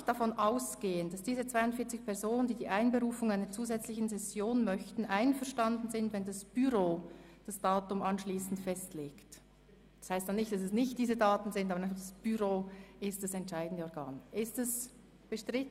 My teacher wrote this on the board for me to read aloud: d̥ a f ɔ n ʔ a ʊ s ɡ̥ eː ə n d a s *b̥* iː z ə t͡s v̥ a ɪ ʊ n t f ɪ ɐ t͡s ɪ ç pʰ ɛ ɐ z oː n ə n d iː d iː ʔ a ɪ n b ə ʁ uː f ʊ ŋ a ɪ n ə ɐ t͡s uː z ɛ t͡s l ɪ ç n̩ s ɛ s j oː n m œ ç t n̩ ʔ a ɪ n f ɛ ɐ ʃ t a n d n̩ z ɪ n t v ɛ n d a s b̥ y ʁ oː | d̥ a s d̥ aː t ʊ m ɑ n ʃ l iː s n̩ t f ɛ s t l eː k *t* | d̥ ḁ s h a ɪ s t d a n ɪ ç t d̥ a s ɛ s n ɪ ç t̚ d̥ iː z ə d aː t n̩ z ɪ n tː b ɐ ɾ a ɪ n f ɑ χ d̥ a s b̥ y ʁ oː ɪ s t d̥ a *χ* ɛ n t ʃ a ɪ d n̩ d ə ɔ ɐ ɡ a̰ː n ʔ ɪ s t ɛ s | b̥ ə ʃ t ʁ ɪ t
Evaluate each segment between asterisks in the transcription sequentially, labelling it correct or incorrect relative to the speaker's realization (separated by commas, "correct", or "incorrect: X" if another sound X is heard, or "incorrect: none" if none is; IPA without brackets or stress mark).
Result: incorrect: d̥, correct, incorrect: s